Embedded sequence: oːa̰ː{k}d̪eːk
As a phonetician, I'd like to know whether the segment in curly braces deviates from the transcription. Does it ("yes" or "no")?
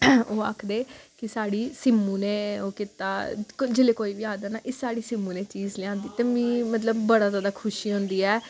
yes